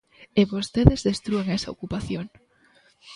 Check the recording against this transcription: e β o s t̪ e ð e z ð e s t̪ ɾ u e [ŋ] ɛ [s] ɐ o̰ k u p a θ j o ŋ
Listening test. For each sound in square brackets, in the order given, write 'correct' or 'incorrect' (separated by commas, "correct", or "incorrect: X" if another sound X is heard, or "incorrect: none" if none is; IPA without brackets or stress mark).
correct, correct